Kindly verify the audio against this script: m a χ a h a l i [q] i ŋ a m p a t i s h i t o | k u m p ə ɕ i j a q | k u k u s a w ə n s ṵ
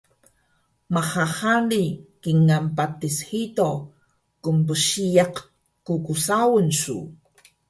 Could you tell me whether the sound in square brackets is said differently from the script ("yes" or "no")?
yes